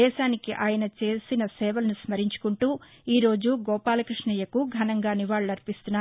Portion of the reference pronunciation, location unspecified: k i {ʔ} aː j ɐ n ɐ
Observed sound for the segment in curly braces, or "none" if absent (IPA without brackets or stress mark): ʔ